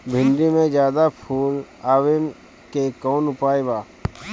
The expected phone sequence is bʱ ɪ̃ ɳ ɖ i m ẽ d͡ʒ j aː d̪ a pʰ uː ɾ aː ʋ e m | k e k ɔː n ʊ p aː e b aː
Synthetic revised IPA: bʱ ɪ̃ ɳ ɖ i m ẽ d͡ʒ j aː d̪ a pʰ uː l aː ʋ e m | k e k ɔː n ʊ p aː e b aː